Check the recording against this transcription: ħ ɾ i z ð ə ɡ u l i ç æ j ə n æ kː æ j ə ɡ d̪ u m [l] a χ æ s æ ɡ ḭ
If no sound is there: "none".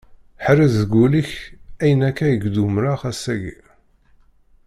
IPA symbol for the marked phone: ɾ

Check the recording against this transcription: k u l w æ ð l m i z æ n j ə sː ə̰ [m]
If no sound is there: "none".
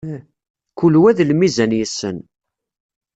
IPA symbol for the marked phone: n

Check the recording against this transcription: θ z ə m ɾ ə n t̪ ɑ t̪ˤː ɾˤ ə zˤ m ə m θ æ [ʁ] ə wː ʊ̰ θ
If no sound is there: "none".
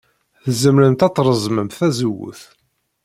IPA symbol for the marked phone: z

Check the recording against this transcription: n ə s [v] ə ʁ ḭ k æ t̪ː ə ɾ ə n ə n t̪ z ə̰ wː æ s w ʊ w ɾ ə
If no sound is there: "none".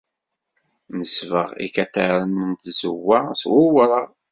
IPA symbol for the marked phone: v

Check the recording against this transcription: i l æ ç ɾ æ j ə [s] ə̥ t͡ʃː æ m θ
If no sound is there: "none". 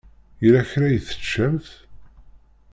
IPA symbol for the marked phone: θ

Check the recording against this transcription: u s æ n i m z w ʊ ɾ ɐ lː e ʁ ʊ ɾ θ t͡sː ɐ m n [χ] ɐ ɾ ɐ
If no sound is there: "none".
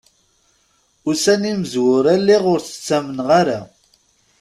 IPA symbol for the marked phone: ʁ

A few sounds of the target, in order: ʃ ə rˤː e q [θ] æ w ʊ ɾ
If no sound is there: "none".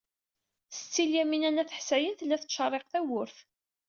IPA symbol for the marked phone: θ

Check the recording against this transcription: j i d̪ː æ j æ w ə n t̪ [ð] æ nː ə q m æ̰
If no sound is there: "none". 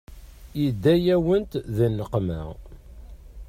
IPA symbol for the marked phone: ð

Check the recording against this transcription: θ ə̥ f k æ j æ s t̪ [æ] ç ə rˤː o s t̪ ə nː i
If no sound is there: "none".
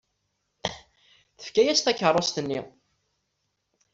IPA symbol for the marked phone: æ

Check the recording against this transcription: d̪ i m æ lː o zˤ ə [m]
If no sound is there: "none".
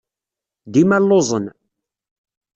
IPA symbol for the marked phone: n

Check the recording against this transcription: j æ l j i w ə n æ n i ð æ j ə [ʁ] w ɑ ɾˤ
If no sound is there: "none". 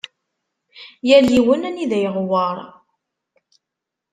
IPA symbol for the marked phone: ʁ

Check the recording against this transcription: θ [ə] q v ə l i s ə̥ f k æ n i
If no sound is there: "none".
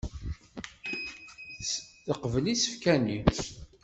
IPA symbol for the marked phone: ə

